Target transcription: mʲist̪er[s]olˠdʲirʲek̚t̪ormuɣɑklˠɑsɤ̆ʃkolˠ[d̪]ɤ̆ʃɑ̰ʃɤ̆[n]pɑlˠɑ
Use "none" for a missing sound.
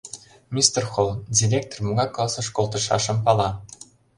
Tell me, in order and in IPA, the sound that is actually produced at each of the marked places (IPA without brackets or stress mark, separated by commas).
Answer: x, t̪, m